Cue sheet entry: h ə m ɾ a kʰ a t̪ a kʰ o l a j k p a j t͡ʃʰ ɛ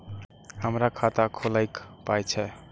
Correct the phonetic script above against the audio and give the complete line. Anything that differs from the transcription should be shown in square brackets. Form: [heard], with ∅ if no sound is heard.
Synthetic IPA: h ə m ɾ a kʰ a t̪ a kʰ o l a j k p a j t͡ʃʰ ɛ